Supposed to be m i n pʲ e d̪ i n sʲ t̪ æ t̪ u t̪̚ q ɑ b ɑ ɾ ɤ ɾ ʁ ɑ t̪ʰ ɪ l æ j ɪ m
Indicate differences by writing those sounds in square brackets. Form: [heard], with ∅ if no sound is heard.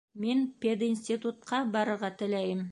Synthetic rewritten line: m [e] n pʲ e d̪ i n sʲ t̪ [i] t̪ u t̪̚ q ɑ b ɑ ɾ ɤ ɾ ʁ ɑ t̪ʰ ɪ l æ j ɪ m